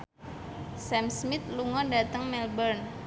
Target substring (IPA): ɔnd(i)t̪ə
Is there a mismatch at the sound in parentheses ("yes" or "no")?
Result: yes